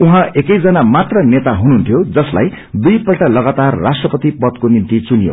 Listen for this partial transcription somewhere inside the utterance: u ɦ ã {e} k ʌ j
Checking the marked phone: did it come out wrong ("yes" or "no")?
no